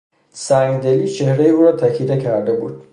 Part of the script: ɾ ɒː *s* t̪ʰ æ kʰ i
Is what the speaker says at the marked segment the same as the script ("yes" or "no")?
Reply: no